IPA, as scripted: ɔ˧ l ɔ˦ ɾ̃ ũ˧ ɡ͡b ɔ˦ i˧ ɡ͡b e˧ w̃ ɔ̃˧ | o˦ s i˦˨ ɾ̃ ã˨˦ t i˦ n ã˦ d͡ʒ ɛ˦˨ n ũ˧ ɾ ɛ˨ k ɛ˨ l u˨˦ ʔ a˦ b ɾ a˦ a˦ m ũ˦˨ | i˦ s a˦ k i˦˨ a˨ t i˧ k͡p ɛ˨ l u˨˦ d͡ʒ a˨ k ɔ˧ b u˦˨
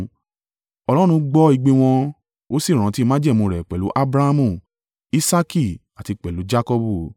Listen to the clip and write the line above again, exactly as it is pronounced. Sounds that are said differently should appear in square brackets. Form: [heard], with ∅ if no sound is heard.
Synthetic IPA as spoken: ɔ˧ l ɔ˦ ɾ̃ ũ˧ ɡ͡b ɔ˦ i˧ ɡ͡b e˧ w̃ ɔ̃˧ | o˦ s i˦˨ ɾ̃ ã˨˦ t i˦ [m] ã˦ d͡ʒ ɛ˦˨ [m] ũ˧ ɾ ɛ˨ [k͡p] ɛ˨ l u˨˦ ʔ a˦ b ɾ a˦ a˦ m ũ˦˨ | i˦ s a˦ k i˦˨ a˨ t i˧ k͡p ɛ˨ l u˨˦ d͡ʒ [a˦] k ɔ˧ b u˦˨